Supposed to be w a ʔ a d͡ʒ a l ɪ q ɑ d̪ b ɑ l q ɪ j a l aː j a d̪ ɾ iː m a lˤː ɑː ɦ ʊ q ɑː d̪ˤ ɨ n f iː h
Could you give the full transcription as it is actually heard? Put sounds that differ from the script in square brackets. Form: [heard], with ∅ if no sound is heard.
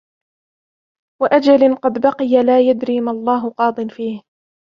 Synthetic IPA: w a ʔ a d͡ʒ a l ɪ q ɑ d̪ b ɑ [∅] q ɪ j a l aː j a d̪ ɾ iː m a lˤː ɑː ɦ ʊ q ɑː d̪ˤ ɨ n f iː h